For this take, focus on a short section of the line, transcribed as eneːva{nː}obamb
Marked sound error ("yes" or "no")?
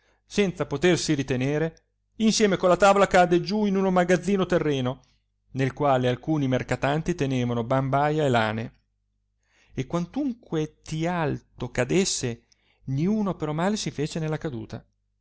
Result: yes